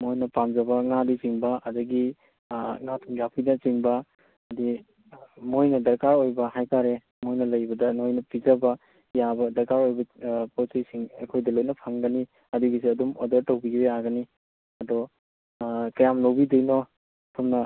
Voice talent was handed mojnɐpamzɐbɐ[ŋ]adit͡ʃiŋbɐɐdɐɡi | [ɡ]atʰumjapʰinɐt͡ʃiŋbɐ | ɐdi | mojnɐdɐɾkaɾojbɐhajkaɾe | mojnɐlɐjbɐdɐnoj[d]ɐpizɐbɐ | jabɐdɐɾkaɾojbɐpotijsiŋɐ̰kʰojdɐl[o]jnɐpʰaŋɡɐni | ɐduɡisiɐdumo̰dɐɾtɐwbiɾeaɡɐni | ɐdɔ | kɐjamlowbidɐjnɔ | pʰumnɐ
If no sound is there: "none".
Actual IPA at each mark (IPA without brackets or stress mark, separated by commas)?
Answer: ŋ, ŋ, n, o